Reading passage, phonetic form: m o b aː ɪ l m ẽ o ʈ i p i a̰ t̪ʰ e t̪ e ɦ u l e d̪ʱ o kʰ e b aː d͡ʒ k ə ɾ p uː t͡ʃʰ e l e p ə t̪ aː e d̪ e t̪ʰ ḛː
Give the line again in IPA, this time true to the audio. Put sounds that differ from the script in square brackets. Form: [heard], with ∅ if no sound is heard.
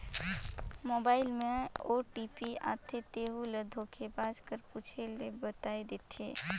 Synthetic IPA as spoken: m o b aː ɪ l m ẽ o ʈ i p i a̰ t̪ʰ e t̪ e ɦ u l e d̪ʱ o kʰ e b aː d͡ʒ k ə ɾ p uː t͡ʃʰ e l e [b] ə t̪ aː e d̪ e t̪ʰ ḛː